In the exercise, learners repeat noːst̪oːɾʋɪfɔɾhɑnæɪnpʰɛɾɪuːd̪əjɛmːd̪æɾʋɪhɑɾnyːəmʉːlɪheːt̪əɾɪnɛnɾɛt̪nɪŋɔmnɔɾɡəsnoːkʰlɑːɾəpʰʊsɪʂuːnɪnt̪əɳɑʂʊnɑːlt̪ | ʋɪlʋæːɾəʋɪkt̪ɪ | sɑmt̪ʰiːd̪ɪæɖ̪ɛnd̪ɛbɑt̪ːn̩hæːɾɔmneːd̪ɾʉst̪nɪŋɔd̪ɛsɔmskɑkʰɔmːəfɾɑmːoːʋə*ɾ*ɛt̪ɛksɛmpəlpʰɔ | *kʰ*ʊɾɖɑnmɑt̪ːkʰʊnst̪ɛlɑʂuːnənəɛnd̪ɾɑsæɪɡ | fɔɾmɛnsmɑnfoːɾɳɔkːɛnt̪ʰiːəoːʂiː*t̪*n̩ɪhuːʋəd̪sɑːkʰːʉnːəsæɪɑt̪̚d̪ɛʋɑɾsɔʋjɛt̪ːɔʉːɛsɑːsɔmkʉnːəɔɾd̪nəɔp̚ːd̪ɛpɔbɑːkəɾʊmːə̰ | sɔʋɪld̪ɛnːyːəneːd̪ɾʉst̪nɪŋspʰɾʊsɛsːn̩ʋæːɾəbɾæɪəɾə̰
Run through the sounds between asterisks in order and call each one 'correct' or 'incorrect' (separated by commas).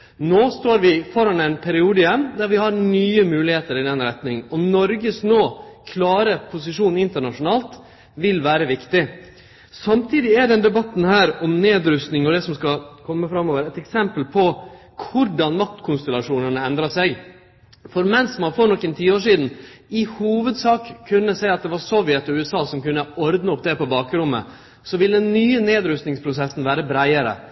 correct, correct, incorrect